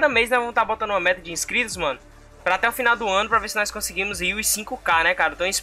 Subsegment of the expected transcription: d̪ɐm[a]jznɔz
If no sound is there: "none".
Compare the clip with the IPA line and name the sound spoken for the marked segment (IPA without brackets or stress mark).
e